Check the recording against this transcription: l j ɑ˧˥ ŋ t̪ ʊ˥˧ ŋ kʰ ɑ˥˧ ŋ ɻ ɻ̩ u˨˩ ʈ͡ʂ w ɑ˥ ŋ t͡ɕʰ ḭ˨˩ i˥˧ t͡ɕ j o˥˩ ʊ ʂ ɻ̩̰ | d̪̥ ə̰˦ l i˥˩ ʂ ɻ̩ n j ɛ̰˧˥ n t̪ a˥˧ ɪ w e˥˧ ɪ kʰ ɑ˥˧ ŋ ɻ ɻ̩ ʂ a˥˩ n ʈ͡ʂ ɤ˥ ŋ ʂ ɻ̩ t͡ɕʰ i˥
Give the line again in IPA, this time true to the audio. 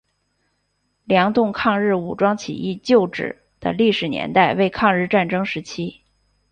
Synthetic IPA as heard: l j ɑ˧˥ ŋ t̪ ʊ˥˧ ŋ kʰ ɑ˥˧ ŋ ɻ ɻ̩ u˨˩ ʈ͡ʂ w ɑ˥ ŋ t͡ɕʰ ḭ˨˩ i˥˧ t͡ɕ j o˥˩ ʊ ʈ͡ʂ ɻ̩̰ | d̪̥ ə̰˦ l i˥˩ ʂ ɻ̩ n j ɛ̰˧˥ n t̪ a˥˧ ɪ w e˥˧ ɪ kʰ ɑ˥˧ ŋ ɻ ɻ̩ ʈ͡ʂ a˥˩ n ʈ͡ʂ ɤ˥ ŋ ʂ ɻ̩ t͡ɕʰ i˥